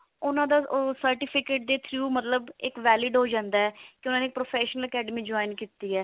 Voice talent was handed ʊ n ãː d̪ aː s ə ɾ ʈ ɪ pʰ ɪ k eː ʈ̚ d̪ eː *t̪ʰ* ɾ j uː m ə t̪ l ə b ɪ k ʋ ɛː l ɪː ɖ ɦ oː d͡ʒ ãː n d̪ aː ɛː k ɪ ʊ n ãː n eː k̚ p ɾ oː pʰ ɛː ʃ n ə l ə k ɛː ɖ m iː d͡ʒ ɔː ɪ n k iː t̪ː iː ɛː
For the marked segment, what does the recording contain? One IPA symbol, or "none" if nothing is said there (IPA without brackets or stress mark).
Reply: t̪ʰ